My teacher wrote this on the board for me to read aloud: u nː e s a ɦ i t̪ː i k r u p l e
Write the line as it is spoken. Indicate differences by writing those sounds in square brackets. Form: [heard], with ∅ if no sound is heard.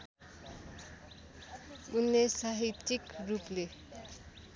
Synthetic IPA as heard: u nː e s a ɦ i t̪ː i k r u p l e